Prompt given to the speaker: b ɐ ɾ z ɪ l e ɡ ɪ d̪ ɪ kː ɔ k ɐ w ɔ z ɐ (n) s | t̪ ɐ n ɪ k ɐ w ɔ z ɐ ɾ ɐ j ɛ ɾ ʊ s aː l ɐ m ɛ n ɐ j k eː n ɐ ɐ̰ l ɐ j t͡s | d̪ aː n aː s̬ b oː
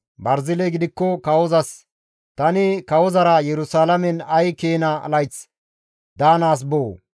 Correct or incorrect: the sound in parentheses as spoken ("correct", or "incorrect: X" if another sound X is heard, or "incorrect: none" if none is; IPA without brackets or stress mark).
incorrect: none